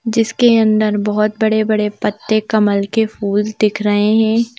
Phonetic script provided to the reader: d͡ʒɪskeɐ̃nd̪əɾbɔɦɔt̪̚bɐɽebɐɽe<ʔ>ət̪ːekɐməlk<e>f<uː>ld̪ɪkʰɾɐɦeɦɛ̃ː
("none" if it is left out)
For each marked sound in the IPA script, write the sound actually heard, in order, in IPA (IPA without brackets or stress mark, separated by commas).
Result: p, e, uː